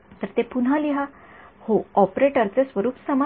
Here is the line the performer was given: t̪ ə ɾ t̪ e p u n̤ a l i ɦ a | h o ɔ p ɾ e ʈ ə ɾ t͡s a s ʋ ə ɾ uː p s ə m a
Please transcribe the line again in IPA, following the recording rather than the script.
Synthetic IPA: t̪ ə ɾ t̪ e p u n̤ a l i ɦ a | h o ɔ p ɾ e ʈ ə ɾ t͡s e s ʋ ə ɾ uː p s ə m a